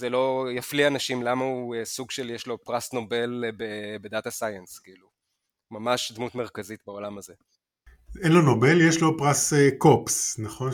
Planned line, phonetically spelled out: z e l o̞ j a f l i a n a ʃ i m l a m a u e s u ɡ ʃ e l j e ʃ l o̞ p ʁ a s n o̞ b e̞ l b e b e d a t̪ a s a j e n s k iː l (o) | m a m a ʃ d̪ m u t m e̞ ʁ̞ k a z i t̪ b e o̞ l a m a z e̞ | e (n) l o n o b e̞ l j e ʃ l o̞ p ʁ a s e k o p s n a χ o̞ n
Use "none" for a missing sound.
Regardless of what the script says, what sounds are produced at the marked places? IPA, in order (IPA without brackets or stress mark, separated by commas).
u, n